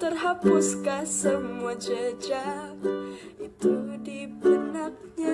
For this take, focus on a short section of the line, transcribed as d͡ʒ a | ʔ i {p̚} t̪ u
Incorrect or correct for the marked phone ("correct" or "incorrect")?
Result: incorrect